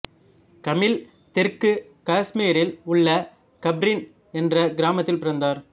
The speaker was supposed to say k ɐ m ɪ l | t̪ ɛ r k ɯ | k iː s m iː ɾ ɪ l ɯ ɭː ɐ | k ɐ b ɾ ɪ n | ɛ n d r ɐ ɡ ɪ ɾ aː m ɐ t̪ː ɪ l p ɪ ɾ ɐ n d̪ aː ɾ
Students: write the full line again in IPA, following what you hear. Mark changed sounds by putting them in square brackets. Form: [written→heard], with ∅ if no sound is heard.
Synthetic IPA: k ɐ m ɪ l | t̪ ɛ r k ɯ | k [iː→aː] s m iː ɾ ɪ l [ɯ→ʊ] ɭː ɐ | k ɐ b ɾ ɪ n | ɛ n d r ɐ ɡ ɪ ɾ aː m ɐ t̪ː ɪ l p ɪ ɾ ɐ n d̪ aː ɾ